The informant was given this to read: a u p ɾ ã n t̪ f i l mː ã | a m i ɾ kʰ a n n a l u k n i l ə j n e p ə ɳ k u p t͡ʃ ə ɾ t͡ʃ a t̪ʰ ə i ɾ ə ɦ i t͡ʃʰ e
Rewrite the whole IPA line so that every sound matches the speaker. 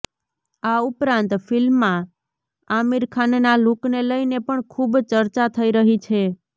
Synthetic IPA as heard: a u p ɾ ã n t̪ f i l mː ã | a m i ɾ kʰ a n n a l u k n e l ə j n e p ə ɳ kʰ u b t͡ʃ ə ɾ t͡ʃ a t̪ʰ ə i ɾ ə ɦ i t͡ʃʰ e